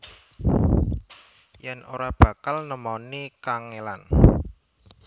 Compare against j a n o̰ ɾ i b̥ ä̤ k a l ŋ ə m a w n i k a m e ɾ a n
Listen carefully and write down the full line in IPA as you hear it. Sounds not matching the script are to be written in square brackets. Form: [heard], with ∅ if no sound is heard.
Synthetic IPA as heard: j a n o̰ ɾ [a] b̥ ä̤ k a l [n] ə m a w n i k a [ŋ] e [l] a n